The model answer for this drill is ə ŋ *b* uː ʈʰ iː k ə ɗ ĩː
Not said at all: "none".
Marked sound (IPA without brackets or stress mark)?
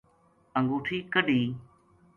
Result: ɡ